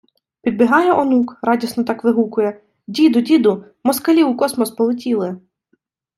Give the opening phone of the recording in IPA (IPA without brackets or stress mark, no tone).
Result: pʲ